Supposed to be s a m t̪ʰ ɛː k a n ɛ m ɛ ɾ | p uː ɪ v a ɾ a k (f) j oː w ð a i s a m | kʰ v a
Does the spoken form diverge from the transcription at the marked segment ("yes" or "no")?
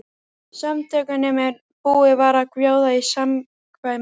yes